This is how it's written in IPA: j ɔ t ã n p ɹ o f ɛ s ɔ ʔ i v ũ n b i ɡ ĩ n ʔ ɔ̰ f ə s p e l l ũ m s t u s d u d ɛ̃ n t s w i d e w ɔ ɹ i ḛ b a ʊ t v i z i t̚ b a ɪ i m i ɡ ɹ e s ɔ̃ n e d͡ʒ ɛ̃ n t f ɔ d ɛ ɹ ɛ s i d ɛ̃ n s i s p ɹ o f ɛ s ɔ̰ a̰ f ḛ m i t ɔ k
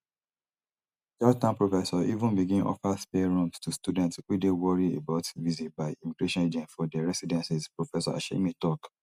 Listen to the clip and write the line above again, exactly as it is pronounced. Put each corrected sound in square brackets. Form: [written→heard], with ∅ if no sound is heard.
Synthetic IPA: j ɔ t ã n p ɹ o f ɛ s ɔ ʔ i v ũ n b i ɡ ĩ n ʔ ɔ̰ f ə s p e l [l→ɹ] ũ m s t u s [d→t] u d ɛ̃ n t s w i d e w ɔ ɹ i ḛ b a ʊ t v i z i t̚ b a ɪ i m i ɡ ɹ e [s→ʃ] ɔ̃ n e d͡ʒ ɛ̃ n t f ɔ d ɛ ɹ ɛ s i d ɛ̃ n s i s p ɹ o f ɛ s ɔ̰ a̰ [f→ʃ] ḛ m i t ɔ k